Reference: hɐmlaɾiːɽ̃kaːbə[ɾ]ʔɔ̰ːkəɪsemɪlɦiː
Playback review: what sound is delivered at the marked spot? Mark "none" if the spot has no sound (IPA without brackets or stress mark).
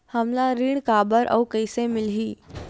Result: ɾ